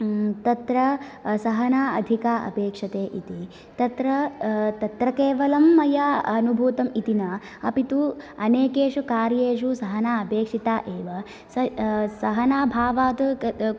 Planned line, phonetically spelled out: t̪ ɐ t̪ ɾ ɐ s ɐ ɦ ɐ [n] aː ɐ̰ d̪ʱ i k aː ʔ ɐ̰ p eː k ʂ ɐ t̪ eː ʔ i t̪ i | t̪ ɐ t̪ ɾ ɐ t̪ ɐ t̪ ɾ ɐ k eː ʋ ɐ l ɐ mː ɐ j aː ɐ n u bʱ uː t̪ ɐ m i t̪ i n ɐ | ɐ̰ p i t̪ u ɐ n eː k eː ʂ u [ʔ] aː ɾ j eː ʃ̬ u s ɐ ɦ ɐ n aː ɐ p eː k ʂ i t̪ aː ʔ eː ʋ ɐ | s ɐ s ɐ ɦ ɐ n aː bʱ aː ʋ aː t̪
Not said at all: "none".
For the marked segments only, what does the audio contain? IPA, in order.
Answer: n, k

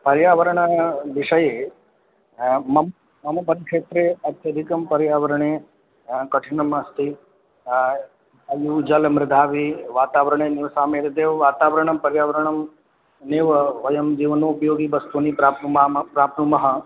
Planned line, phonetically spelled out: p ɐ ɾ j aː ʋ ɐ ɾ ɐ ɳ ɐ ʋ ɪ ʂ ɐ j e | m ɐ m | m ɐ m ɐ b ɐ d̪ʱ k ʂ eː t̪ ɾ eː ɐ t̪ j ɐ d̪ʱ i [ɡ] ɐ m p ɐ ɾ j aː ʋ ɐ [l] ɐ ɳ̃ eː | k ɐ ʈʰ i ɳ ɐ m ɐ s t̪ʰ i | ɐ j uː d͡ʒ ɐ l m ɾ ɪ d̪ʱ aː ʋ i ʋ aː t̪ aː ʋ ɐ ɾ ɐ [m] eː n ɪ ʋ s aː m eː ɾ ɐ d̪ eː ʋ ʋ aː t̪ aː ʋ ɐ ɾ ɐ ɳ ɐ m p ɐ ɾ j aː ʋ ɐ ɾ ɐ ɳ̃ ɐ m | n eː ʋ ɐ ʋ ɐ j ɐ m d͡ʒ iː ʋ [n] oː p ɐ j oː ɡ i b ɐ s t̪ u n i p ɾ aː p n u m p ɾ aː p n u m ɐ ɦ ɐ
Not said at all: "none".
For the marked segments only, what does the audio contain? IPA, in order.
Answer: k, ɾ, ɳ, n

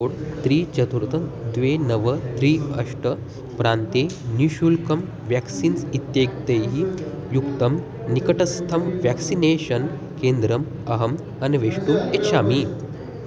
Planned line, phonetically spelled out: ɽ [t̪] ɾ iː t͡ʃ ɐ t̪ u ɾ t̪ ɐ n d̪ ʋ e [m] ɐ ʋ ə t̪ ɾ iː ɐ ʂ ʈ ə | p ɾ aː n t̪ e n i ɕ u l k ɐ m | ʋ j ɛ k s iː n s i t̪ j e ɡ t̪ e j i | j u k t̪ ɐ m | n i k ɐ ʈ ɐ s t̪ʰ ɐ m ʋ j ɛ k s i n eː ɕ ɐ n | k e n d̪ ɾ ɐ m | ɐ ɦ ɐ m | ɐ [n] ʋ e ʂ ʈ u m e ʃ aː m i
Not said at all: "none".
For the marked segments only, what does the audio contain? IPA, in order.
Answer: t̪, n, n

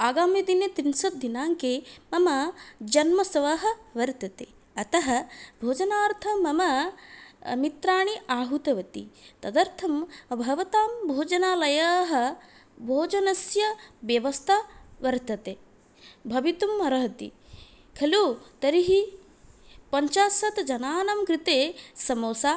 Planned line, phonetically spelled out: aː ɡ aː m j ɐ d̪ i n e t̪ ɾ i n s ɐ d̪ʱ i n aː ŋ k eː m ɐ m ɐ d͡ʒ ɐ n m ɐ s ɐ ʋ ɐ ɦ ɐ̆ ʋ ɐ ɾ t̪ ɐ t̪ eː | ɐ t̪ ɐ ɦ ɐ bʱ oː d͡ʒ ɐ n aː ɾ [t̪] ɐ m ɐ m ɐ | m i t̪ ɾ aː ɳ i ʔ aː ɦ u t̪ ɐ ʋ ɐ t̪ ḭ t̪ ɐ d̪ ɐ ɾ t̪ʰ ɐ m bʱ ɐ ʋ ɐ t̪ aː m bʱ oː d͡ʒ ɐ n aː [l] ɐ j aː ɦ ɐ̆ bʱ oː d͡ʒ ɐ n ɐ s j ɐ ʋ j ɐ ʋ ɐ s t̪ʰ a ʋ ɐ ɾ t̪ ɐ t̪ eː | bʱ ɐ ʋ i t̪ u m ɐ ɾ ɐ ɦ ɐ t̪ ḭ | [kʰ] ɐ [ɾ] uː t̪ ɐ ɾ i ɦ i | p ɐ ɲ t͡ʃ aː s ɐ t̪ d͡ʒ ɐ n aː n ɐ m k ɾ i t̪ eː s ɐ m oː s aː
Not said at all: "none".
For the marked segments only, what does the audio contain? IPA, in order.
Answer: t̪ʰ, l, kʰ, l

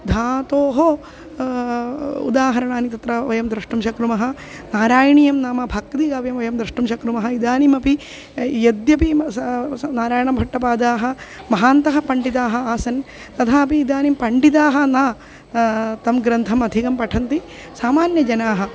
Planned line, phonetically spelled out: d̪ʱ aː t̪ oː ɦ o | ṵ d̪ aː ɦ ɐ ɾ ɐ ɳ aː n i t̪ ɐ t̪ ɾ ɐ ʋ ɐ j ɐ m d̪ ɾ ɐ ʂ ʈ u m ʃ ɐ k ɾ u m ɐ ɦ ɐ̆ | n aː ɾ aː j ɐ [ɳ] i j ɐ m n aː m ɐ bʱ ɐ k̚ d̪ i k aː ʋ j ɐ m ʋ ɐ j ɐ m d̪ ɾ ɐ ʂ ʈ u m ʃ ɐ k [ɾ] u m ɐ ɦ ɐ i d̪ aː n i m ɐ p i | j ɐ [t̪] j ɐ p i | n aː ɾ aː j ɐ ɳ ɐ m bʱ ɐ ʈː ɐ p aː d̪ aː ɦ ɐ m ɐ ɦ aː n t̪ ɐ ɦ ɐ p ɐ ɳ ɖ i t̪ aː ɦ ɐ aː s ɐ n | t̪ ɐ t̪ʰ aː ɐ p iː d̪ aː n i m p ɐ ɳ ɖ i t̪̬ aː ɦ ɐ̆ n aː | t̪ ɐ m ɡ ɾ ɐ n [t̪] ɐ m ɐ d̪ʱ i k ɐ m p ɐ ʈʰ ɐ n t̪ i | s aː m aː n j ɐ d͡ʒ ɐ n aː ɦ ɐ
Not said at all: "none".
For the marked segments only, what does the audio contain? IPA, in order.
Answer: ɳ, ɾ, d̪, t̪ʰ

